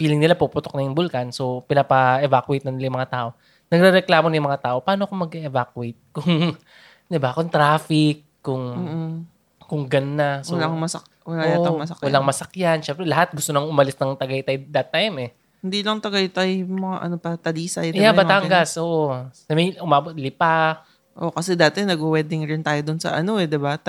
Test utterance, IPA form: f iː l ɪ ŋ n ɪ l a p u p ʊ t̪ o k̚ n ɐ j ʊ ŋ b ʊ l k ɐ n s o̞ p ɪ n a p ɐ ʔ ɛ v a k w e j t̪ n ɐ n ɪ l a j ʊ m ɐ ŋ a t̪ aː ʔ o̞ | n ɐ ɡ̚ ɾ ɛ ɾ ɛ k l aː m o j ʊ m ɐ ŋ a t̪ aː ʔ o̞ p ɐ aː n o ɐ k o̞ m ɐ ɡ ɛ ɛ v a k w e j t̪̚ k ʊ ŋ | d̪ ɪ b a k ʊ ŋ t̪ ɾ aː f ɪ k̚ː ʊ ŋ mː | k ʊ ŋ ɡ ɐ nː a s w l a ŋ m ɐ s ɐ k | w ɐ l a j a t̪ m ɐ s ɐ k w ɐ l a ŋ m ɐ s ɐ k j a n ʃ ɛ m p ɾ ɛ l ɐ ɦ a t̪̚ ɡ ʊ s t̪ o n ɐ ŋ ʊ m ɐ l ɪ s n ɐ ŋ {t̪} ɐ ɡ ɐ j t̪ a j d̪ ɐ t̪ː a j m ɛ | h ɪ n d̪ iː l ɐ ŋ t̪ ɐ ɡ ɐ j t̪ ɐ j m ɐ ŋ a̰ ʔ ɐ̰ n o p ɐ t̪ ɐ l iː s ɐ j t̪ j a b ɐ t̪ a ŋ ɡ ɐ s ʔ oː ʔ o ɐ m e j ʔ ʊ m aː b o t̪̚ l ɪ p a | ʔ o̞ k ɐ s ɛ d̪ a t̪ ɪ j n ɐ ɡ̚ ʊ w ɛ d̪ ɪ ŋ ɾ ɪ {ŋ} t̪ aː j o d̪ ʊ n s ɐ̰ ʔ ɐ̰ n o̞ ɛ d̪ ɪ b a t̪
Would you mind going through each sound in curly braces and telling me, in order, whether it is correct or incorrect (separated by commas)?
correct, incorrect